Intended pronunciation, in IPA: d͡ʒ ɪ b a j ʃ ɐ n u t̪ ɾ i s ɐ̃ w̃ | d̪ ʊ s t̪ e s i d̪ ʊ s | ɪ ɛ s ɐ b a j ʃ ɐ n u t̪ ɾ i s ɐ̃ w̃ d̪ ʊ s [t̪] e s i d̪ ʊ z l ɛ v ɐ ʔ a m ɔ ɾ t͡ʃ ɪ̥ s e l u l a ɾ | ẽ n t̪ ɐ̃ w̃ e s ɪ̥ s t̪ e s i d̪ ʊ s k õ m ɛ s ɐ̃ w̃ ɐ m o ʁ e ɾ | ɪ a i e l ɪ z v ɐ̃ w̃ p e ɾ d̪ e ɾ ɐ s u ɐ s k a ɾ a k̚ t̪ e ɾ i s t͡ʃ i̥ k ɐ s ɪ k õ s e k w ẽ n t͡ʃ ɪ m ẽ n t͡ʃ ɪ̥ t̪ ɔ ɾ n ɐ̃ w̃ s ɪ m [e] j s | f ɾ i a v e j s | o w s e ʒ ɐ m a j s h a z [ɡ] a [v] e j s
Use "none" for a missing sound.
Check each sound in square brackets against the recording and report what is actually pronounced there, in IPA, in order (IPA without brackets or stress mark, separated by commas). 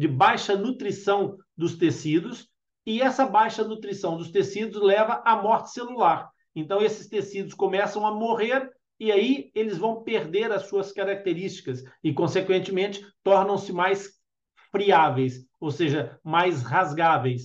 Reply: t̪, a, ɡ, v